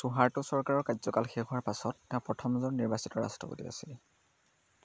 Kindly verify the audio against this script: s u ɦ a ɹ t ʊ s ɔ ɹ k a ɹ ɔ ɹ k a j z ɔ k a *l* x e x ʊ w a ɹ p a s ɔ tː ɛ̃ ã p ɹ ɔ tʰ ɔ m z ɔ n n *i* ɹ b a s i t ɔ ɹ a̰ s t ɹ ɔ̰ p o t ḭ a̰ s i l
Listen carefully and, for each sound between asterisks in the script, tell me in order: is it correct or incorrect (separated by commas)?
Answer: correct, correct